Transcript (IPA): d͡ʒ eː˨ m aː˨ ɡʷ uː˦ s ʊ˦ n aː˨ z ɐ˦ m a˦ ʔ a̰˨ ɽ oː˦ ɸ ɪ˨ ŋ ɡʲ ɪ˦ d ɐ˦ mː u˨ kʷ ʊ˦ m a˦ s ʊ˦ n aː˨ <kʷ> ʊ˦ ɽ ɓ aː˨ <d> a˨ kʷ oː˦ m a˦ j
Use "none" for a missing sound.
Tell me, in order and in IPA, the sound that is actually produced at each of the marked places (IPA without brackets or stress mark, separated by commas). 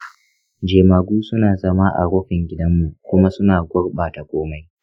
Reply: ɡʷ, t